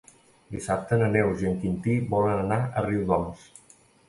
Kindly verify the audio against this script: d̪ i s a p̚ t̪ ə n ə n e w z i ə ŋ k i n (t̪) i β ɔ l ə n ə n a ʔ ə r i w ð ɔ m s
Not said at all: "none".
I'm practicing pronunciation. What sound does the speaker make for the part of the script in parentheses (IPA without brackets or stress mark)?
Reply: t̪